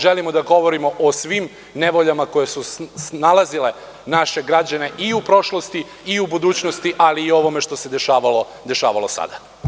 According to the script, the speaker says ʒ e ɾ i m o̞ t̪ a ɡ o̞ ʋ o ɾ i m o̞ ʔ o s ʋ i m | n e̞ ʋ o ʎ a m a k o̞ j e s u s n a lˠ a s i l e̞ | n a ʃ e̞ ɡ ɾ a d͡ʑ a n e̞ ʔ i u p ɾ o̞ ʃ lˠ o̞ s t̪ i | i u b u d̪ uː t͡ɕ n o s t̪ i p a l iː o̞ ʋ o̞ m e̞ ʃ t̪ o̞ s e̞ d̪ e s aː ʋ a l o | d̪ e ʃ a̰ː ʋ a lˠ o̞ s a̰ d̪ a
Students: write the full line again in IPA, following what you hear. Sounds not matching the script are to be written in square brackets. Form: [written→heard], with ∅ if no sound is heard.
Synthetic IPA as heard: ʒ e [ɾ→l] i m o̞ [t̪→d̪] a ɡ o̞ ʋ o ɾ i m o̞ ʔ o s ʋ i m | n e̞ ʋ o ʎ a m a k o̞ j e s u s n a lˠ a [s→z] i l e̞ | n a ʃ e̞ ɡ ɾ a d͡ʑ a n e̞ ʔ i u p ɾ o̞ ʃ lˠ o̞ s t̪ i | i u b u d̪ uː t͡ɕ n o s t̪ i [p→ʔ] a l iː o̞ ʋ o̞ m e̞ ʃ t̪ o̞ s e̞ d̪ e [s→ʃ] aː ʋ a l o | d̪ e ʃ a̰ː ʋ a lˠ o̞ s a̰ d̪ a